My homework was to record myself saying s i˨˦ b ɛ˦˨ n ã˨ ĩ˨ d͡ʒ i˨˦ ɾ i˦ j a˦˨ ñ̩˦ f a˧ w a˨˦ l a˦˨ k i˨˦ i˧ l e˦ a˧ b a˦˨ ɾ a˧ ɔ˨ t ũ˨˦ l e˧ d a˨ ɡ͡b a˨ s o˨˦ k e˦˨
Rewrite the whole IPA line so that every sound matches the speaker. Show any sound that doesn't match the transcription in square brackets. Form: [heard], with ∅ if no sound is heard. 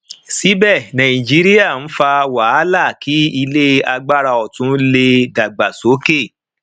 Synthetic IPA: s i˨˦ b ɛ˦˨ n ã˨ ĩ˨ d͡ʒ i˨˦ ɾ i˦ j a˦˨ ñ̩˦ f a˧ w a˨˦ l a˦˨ k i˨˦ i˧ l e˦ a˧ [ɡ͡b] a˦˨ ɾ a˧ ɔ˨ t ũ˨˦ l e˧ d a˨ ɡ͡b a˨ s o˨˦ k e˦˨